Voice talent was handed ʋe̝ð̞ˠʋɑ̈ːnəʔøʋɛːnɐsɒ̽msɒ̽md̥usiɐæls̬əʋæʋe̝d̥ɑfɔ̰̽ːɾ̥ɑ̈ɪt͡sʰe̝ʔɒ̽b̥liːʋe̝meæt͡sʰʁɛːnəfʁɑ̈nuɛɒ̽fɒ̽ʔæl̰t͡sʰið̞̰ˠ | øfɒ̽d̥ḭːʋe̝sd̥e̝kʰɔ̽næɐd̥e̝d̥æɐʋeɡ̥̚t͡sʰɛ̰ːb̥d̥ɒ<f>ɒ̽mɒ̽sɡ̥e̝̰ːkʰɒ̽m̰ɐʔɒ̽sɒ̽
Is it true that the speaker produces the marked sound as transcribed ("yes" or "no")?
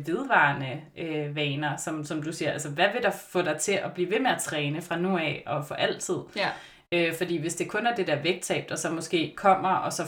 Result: no